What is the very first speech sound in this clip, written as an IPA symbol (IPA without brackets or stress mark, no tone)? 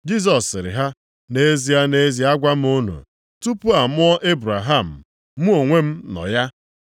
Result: d͡ʒ